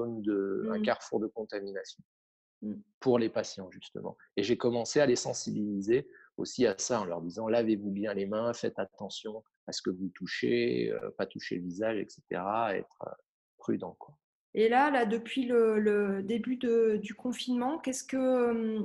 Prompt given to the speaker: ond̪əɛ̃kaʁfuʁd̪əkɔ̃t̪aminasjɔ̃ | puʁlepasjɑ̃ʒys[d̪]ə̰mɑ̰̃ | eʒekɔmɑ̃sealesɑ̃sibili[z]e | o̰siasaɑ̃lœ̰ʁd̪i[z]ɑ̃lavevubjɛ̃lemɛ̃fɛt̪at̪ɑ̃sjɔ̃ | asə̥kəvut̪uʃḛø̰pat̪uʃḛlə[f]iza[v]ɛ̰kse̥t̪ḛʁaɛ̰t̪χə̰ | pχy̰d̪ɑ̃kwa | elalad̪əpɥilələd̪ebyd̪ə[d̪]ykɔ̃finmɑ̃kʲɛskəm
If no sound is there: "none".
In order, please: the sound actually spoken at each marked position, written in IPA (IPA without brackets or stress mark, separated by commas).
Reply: t̪, z, z, v, ʒ, d̪